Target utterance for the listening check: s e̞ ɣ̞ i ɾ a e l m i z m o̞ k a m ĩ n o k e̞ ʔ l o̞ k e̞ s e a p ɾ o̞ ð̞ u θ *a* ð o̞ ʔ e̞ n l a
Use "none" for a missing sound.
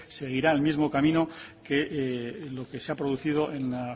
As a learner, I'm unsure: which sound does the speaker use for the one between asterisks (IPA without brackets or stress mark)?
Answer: i